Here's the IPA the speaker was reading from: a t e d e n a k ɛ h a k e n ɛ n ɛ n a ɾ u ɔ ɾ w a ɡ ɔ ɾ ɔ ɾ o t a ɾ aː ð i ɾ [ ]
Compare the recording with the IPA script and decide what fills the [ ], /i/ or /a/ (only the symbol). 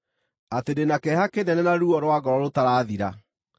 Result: a